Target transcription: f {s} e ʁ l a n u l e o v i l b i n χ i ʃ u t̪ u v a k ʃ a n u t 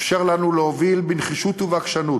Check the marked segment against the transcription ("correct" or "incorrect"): incorrect